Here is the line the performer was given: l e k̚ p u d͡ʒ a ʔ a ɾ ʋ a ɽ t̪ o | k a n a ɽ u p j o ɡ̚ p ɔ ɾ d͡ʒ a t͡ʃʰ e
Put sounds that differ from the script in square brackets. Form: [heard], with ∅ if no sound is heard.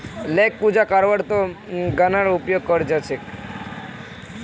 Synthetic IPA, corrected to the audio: l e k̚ p u d͡ʒ a [k] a ɾ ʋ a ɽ t̪ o | [ɡ] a n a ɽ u p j o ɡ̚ [k] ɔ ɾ d͡ʒ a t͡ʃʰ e